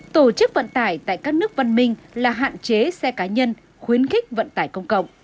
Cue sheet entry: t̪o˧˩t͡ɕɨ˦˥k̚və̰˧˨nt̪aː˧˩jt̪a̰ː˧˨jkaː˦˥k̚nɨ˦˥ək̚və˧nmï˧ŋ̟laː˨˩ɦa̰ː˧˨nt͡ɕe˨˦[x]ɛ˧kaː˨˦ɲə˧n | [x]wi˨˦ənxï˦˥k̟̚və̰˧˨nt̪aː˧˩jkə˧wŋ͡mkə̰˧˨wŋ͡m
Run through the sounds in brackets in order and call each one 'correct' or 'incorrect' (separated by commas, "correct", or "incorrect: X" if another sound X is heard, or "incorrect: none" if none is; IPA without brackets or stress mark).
incorrect: s, correct